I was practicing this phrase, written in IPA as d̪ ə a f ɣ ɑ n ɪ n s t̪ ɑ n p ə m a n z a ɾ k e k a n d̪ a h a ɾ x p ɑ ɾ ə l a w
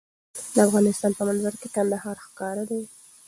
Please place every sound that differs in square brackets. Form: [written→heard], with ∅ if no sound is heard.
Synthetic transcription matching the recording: d̪ ə a f ɣ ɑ n ɪ [n→∅] s t̪ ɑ n p ə m a n z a ɾ k e k a n d̪ a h [a→ɑ] ɾ x [p→k] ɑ ɾ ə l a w